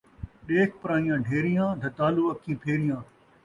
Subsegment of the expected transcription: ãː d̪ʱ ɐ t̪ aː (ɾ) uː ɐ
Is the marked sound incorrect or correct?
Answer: incorrect: l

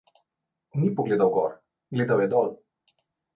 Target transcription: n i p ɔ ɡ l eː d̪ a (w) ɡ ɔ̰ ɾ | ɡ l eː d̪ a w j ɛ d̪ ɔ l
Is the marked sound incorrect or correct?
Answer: correct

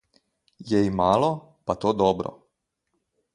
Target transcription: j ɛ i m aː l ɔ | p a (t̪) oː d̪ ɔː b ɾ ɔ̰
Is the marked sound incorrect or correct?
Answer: correct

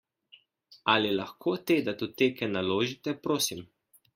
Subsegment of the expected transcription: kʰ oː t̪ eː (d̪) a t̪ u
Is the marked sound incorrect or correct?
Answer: correct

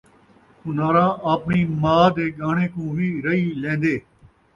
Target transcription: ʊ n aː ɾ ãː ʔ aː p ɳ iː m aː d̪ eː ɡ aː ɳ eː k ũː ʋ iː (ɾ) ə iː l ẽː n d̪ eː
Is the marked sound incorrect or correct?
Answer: correct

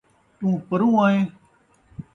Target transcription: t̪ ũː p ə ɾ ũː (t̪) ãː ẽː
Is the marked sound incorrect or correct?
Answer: incorrect: none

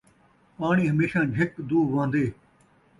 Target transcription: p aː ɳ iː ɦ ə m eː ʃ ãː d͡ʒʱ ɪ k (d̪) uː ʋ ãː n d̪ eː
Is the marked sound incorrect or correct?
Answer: correct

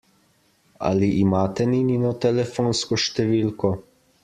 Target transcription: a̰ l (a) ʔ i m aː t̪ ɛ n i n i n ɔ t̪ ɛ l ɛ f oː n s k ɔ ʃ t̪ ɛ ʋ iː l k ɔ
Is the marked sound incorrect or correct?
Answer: incorrect: i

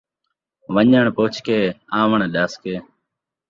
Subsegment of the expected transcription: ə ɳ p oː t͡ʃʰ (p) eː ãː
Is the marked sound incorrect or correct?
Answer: incorrect: k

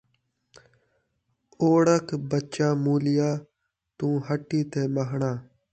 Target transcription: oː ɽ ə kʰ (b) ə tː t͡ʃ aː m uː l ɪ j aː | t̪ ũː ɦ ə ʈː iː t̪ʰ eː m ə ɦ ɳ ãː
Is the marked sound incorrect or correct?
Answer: correct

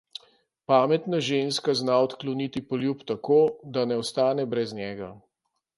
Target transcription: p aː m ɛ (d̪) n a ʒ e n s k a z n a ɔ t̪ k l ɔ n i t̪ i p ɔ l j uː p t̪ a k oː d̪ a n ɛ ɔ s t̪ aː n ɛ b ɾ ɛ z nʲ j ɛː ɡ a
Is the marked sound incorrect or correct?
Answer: incorrect: t̪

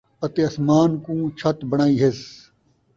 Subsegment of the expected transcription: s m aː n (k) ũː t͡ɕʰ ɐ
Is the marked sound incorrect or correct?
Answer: correct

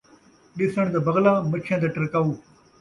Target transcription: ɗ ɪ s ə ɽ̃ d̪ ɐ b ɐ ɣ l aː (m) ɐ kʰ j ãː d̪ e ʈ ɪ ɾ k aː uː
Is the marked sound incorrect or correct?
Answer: correct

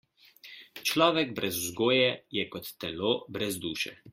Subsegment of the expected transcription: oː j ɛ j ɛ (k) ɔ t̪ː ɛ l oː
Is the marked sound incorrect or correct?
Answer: correct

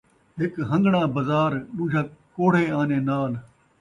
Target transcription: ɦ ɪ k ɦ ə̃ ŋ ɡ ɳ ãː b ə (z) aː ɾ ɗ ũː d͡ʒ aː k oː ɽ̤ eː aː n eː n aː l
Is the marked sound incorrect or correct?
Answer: correct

